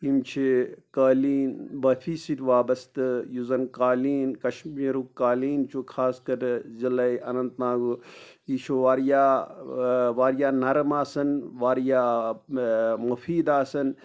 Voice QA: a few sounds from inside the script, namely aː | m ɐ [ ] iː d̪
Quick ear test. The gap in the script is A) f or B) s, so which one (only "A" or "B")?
A